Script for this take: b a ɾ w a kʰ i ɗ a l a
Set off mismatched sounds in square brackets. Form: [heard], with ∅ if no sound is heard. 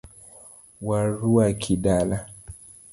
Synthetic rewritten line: [w] a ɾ [u] a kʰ i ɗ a l a